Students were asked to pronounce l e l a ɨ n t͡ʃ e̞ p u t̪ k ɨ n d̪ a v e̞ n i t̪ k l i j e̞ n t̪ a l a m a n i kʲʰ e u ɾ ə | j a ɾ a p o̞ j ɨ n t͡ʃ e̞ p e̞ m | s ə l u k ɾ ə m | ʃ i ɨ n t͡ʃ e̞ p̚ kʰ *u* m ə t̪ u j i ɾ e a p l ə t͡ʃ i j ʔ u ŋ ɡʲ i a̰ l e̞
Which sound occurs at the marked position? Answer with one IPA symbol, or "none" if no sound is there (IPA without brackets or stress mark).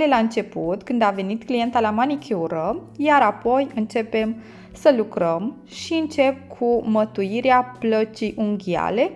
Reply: u